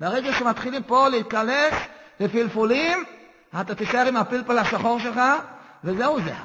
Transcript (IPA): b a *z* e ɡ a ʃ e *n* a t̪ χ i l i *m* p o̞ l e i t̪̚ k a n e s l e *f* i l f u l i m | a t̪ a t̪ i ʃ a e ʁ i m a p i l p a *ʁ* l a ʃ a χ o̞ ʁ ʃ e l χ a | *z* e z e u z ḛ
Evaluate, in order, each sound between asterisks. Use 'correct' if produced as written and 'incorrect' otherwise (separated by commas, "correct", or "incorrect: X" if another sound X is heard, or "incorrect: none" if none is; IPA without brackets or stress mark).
incorrect: ʁ, incorrect: m, correct, correct, incorrect: none, incorrect: v